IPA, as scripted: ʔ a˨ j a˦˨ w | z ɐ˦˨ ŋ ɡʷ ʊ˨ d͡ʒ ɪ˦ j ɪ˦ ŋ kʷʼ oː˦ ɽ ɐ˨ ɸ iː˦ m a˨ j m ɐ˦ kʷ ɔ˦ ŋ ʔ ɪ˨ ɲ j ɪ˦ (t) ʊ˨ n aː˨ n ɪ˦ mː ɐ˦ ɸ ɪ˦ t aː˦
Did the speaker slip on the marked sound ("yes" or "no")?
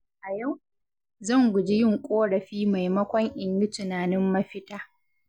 no